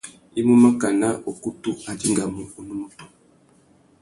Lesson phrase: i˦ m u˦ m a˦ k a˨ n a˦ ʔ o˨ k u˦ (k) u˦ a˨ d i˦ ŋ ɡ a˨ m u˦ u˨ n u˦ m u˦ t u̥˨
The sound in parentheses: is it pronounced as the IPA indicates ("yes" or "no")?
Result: no